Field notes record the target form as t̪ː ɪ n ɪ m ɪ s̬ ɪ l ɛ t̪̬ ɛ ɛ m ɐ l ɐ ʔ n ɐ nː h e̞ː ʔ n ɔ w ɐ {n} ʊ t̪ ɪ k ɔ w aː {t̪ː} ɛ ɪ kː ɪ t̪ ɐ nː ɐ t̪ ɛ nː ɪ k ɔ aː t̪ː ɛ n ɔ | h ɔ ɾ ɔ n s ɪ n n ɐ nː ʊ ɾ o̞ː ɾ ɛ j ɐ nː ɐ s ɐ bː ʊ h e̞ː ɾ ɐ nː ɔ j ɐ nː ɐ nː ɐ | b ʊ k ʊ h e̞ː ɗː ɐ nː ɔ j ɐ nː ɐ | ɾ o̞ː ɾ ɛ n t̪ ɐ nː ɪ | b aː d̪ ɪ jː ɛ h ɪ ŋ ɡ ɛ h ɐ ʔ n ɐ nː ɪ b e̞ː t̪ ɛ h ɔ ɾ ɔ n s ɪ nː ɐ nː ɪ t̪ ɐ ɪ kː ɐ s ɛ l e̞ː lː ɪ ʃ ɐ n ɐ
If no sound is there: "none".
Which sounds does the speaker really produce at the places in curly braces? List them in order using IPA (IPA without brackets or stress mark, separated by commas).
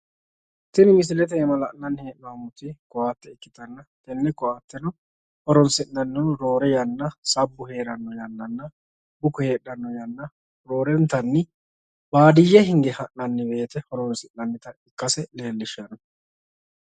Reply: m, t̪ː